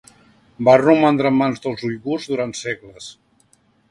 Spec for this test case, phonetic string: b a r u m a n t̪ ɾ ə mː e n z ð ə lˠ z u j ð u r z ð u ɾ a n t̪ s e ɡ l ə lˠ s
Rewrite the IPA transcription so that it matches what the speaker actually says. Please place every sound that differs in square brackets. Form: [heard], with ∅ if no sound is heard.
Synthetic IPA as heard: b a r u m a n [d̪] ɾ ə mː [a] n z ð ə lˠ z u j [ɣ] u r z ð u ɾ a n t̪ s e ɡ l ə [∅] s